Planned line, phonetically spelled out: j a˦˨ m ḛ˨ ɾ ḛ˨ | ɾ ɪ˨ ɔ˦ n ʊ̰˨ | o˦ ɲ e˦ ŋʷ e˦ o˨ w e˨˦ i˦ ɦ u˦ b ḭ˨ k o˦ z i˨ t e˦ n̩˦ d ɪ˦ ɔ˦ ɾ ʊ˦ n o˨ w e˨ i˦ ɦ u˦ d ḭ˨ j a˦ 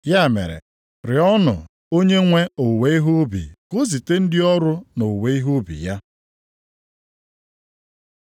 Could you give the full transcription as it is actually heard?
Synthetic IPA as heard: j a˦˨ m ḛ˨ ɾ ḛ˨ | ɾ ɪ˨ ɔ˦ n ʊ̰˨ | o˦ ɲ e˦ ŋʷ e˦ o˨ w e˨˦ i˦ ɦ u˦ b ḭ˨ k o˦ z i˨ t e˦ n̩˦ d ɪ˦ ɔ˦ ɾ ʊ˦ n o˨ w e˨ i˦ ɦ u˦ b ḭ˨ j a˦